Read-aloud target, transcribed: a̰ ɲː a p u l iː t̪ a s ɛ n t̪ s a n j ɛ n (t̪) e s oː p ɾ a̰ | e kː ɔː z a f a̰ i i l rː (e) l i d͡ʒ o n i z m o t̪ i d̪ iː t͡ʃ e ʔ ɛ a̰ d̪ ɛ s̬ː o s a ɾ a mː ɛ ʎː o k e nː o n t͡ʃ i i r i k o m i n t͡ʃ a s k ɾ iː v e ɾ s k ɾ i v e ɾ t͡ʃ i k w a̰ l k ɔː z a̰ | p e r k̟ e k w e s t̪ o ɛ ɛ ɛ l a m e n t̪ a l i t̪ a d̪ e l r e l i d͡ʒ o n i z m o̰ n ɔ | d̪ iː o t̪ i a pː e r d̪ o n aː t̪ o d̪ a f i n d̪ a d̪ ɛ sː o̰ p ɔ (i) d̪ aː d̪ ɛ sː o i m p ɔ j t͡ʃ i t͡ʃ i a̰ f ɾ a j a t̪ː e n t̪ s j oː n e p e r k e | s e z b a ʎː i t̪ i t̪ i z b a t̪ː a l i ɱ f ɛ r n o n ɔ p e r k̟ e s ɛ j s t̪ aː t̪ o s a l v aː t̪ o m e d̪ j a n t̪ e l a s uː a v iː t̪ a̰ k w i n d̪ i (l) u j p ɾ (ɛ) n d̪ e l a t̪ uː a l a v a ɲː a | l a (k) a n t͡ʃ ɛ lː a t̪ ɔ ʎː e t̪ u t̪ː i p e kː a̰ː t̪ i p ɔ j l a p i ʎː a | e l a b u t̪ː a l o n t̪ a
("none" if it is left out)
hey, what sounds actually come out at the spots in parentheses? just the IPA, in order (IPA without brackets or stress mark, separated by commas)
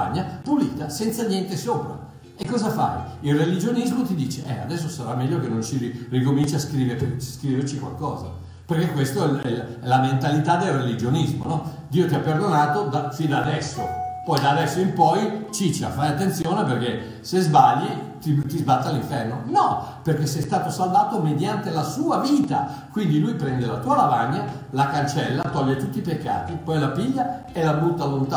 t̪, e, j, l, ɛ, k